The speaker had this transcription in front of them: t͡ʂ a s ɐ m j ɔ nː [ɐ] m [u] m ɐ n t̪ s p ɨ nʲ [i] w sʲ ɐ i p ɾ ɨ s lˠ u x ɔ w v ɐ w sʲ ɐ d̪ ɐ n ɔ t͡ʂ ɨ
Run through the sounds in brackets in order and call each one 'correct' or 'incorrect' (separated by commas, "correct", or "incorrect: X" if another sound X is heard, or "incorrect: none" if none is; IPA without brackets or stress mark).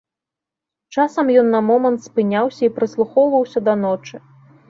correct, incorrect: ɔ, incorrect: a